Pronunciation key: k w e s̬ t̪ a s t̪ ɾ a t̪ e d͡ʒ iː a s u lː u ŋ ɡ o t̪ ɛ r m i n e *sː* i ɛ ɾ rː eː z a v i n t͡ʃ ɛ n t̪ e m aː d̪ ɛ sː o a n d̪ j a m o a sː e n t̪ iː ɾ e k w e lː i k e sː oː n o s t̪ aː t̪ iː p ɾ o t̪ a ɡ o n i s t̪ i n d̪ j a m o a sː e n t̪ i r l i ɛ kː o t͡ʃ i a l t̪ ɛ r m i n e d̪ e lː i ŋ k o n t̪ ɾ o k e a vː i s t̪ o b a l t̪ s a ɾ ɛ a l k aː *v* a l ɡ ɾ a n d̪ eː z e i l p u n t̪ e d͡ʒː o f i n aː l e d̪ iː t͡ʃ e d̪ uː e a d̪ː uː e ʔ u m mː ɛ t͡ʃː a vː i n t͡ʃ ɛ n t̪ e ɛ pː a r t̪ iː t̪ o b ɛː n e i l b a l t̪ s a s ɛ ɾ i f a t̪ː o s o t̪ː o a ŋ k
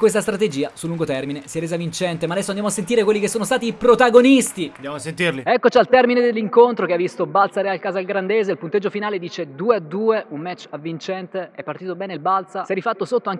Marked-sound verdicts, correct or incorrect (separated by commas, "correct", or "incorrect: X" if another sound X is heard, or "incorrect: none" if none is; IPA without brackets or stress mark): incorrect: s, incorrect: z